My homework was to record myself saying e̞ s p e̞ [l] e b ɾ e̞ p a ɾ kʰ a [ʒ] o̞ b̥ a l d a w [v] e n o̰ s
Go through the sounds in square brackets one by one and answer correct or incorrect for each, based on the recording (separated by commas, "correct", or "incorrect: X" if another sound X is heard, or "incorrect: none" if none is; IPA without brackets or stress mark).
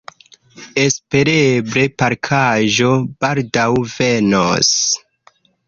incorrect: ɾ, correct, correct